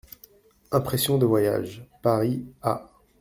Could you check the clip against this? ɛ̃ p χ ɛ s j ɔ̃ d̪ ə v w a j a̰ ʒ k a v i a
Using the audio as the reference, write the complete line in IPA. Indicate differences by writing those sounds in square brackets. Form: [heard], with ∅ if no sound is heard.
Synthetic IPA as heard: ɛ̃ p χ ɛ s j ɔ̃ d̪ ə v w a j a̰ ʒ [p] a [ʁ] i a

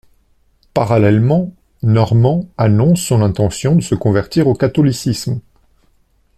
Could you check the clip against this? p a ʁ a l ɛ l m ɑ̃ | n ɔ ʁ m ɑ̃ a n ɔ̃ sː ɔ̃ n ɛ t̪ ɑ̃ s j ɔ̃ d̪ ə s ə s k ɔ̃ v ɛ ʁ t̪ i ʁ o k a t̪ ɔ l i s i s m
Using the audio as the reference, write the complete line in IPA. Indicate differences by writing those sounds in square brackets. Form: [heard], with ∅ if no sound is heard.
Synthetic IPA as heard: p a ʁ a l ɛ l m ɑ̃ | n ɔ ʁ m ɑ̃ a n ɔ̃ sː ɔ̃ n [ɛ̃] t̪ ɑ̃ s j ɔ̃ d̪ ə s ə [∅] k ɔ̃ v ɛ ʁ t̪ i ʁ o k a t̪ ɔ l i s i s m

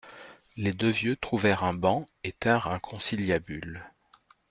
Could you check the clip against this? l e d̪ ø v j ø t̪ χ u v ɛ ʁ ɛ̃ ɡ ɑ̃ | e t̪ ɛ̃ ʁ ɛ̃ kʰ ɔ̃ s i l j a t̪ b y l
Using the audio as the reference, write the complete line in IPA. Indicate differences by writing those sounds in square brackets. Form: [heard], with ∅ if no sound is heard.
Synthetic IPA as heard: l e d̪ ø v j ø t̪ χ u v ɛ ʁ ɛ̃ [b] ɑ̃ | e t̪ ɛ̃ ʁ ɛ̃ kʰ ɔ̃ s i l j a [∅] b y l

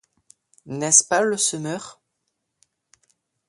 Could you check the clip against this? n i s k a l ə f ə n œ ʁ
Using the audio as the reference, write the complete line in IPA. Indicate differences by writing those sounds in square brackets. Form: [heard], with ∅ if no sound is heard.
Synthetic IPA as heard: n [ɛ] s [p] a l ə [s] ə [m] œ ʁ

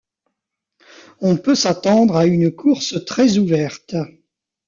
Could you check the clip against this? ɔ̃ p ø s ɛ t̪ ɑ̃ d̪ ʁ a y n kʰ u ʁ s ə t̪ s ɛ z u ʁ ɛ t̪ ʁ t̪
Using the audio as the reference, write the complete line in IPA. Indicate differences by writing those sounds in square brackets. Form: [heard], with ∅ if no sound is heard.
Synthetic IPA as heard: ɔ̃ p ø s [a] t̪ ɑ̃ d̪ ʁ a y n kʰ u ʁ s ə t̪ [χ] ɛ z u [v] ɛ [∅] ʁ t̪

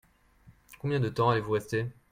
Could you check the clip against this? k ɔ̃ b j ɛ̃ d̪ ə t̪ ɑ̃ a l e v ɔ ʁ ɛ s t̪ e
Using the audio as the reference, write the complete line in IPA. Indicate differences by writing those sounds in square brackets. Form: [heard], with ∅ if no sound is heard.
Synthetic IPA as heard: k ɔ̃ b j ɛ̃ d̪ ə t̪ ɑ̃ a l e v [u] ʁ ɛ s t̪ e

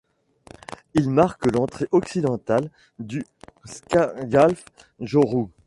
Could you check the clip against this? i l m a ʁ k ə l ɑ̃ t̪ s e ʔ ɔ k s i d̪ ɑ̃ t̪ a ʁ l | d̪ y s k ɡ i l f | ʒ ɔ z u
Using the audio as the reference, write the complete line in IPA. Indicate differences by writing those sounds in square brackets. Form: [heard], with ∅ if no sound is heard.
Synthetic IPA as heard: i l m a ʁ k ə l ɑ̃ t̪ [χ] e ʔ ɔ k s i d̪ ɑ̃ t̪ a [∅] l | d̪ y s k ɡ [a] l f | ʒ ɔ [ʁ] u

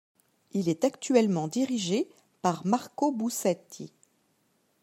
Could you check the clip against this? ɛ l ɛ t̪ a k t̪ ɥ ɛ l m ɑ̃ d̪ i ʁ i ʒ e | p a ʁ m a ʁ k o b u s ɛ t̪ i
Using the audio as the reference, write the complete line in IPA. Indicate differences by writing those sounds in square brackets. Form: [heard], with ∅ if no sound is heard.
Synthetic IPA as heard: [i] l ɛ t̪ a k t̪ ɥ ɛ l m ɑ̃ d̪ i ʁ i ʒ e | p a ʁ m a ʁ k o b u s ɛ t̪ i

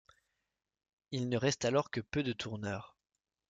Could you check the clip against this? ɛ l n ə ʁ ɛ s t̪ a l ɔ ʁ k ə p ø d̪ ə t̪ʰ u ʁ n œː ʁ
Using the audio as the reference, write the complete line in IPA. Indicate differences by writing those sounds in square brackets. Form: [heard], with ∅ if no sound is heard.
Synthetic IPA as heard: [i] l n ə ʁ ɛ s t̪ a l ɔ ʁ k ə p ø d̪ ə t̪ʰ u ʁ n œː ʁ

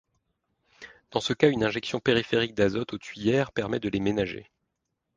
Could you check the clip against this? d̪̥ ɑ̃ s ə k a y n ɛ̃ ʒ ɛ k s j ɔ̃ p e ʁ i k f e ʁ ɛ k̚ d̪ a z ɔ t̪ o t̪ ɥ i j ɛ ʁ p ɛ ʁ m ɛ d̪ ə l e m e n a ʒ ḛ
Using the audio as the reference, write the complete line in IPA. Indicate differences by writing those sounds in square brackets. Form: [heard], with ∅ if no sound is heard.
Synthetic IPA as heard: d̪̥ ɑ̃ s ə k a y n ɛ̃ ʒ ɛ k s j ɔ̃ p e ʁ i [∅] f e ʁ [i] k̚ d̪ a z ɔ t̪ o t̪ ɥ i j ɛ ʁ p ɛ ʁ m ɛ d̪ ə l e m e n a ʒ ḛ

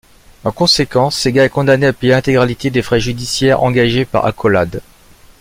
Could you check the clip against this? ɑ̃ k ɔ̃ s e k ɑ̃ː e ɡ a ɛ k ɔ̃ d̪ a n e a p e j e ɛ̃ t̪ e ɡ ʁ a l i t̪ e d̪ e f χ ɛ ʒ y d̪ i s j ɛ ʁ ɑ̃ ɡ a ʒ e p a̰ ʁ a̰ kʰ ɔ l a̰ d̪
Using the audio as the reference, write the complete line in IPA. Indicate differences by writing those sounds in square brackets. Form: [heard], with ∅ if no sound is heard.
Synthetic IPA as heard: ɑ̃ k ɔ̃ s e k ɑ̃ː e ɡ a ɛ k ɔ̃ d̪ a n e a p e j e ɛ̃ t̪ e ɡ ʁ a l i t̪ e d̪ e f χ ɛ ʒ y d̪ i s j ɛ ʁ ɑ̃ ɡ a ʒ e p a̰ ʁ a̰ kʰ ɔ l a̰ d̪

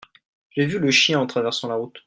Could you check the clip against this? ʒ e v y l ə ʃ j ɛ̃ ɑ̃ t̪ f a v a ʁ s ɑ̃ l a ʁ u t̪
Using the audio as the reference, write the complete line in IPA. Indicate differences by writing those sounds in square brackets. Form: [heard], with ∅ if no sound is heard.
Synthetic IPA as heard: ʒ e v y l ə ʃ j ɛ̃ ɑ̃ t̪ [χ] a v [ɛ] ʁ s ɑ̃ l a ʁ u t̪

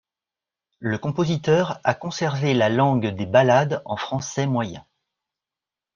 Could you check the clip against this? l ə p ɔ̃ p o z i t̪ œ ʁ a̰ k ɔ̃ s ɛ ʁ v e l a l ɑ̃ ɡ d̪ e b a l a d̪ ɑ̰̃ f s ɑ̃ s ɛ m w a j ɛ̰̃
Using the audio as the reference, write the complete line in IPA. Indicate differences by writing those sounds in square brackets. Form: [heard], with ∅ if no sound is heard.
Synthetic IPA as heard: l ə [k] ɔ̃ p o z i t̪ œ ʁ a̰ k ɔ̃ s ɛ ʁ v e l a l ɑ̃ ɡ d̪ e b a l a d̪ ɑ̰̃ f [χ] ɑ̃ s ɛ m w a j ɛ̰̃

